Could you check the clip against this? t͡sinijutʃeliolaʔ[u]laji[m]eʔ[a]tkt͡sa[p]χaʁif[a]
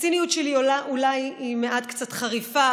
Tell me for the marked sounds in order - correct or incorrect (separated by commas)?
correct, correct, correct, incorrect, correct